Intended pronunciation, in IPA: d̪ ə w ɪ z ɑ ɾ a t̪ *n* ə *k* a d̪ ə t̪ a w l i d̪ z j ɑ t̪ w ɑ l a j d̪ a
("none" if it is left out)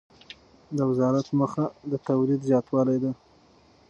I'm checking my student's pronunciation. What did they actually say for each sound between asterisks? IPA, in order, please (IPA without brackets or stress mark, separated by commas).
m, x